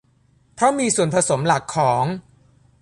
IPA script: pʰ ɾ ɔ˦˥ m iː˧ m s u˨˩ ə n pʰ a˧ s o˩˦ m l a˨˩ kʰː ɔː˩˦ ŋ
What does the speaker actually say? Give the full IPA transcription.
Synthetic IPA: pʰ ɾ ɔ˦˥ m iː˧ s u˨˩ ə n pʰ a˧ s o˩˦ m l a˨˩ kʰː ɔː˩˦ ŋ